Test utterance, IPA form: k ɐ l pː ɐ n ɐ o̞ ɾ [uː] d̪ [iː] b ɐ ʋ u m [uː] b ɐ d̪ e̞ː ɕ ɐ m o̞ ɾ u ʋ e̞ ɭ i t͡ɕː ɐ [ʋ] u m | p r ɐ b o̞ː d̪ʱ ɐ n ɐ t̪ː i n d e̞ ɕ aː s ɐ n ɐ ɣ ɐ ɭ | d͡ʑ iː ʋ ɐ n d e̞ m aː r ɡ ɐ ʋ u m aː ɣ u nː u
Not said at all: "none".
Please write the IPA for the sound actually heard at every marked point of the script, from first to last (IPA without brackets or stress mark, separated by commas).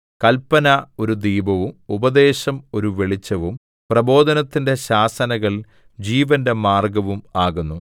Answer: u, iː, u, ʋ